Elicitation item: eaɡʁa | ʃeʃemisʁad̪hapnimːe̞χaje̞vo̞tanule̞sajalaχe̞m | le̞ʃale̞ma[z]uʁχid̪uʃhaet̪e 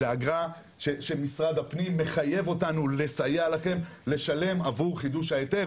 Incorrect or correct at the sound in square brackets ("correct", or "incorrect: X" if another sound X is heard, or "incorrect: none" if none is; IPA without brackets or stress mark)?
incorrect: v